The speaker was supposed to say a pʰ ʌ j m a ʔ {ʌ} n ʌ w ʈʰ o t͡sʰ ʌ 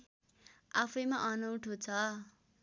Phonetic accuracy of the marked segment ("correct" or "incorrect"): correct